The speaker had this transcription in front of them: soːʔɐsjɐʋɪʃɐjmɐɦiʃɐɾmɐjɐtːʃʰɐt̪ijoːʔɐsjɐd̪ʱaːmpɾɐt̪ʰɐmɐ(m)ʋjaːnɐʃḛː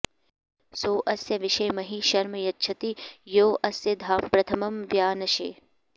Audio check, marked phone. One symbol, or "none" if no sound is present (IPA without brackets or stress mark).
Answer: m